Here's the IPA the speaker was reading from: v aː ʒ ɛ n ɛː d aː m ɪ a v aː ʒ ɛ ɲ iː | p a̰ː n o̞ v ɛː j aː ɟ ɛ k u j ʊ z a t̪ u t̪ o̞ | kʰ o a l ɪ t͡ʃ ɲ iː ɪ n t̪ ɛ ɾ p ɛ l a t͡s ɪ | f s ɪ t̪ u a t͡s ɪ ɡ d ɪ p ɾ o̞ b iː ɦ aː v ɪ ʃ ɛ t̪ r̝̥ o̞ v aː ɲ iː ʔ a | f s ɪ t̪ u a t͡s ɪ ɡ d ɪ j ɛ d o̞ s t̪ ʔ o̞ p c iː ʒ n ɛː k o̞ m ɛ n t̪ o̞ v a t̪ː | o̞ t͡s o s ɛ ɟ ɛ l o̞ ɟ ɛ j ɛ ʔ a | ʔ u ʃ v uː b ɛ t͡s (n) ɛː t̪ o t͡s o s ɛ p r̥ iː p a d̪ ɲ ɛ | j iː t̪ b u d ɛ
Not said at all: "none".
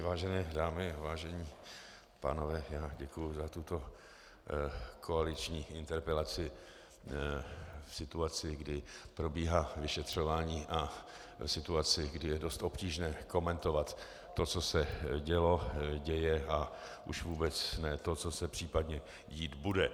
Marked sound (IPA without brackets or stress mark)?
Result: n